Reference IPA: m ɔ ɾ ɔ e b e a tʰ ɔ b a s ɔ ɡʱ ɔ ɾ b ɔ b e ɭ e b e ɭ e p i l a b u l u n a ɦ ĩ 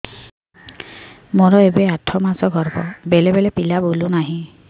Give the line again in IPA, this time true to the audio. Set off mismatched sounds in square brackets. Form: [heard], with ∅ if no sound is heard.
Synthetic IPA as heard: m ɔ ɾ ɔ e b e a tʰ ɔ [m] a s ɔ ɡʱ ɔ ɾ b ɔ b e [l] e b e [l] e p i l a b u l u n a ɦ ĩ